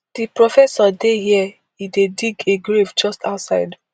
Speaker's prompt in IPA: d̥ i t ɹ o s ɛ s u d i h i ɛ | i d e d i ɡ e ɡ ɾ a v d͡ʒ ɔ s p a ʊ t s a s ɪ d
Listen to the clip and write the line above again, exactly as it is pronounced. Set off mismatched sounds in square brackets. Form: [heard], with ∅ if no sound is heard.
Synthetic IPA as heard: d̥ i [p] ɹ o [f] ɛ s [ɔ] d [e] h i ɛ | i d e d i ɡ e ɡ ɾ [e] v d͡ʒ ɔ s [t] a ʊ t s a [∅] ɪ d